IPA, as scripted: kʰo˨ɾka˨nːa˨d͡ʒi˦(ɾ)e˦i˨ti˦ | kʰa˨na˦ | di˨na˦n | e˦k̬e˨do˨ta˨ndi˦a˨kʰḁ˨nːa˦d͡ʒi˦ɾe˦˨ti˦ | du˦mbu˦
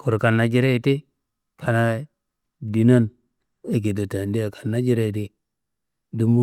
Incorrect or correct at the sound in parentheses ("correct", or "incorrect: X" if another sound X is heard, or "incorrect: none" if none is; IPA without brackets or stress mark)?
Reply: correct